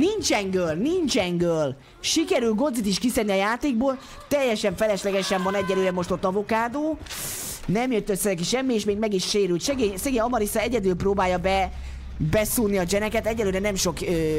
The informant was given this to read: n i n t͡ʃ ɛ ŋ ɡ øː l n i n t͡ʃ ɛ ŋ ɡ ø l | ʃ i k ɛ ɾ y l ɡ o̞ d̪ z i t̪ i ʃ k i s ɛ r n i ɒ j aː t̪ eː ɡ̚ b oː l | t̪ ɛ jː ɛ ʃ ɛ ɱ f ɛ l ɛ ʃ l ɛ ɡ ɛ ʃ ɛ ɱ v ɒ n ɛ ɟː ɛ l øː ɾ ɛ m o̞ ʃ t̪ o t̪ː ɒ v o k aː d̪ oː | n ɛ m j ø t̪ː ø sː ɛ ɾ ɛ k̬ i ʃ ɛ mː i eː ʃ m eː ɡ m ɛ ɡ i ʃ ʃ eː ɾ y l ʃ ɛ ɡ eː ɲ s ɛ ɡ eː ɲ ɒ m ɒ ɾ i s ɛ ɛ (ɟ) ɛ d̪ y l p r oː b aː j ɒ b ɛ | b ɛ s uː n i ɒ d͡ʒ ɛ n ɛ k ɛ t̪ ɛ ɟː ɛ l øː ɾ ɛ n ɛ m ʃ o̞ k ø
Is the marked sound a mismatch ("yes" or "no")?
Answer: no